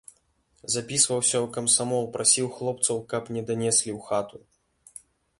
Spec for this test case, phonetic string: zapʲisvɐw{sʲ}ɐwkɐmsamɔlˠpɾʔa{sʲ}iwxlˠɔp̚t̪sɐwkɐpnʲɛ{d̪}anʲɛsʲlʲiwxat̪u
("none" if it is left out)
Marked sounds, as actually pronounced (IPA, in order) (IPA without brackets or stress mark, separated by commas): sʲ, sʲ, d̪